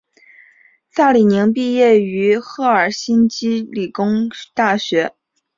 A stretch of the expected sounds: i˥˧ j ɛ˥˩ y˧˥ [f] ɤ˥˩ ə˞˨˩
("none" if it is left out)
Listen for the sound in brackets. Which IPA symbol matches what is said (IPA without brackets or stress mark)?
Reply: x